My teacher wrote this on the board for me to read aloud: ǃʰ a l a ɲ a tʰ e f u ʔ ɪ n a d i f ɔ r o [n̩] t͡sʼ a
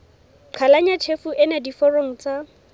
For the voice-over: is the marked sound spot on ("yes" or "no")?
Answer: no